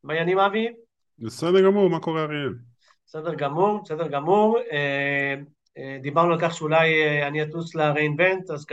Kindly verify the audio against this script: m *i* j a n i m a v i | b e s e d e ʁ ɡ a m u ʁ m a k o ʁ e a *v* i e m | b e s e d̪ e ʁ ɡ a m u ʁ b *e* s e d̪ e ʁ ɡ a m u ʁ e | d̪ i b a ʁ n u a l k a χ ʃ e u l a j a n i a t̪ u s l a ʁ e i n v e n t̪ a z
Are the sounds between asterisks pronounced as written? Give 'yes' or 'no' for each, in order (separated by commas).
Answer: no, no, yes